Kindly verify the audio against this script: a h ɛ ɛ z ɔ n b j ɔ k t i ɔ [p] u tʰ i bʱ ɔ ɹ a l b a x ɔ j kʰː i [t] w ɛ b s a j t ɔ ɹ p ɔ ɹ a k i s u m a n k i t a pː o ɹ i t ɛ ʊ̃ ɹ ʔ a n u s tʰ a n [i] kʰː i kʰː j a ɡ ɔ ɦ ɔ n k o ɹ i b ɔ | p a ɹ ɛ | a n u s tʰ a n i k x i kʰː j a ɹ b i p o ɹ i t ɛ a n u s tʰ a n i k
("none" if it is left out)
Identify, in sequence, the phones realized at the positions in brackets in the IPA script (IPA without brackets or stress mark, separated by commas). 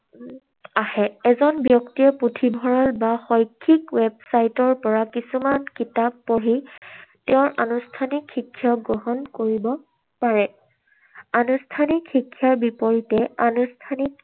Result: p, k, i